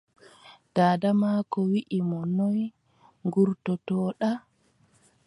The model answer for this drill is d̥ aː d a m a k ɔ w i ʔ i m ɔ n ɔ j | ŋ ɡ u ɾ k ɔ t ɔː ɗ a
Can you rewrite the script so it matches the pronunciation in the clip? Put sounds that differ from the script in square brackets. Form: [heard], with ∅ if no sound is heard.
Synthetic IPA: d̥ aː d a m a k ɔ w i ʔ i m ɔ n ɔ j | ŋ ɡ u ɾ [t] ɔ t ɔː ɗ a